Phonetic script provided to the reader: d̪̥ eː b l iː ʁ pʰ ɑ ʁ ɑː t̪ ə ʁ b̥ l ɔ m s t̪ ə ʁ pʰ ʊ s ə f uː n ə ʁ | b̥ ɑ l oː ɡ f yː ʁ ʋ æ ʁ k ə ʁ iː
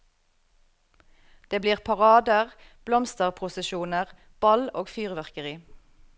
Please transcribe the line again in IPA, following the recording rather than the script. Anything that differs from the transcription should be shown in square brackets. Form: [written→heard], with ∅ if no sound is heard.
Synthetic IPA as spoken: d̪̥ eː b l iː ʁ pʰ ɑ ʁ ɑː [t̪→d̪] ə ʁ b̥ l ɔ m s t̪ ə ʁ pʰ ʊ s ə [f→ʃ] uː n ə ʁ | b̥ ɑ l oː ɡ f yː ʁ ʋ æ ʁ k ə ʁ iː